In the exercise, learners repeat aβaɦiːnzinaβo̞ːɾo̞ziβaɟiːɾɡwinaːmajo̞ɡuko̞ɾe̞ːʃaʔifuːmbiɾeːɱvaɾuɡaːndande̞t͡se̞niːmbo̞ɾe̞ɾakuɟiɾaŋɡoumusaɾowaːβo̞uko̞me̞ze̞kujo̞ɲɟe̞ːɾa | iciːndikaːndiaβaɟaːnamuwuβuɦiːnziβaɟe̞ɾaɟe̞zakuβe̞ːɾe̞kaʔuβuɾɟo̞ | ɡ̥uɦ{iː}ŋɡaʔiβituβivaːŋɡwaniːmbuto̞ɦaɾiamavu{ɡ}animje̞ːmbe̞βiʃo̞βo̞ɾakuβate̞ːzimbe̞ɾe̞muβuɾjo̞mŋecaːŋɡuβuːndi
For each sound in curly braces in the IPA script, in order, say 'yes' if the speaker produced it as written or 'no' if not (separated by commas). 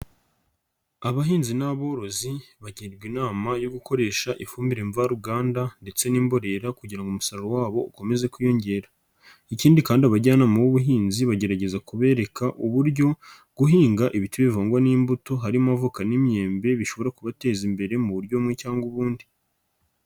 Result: yes, no